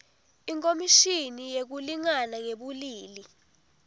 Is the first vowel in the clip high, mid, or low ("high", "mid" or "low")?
high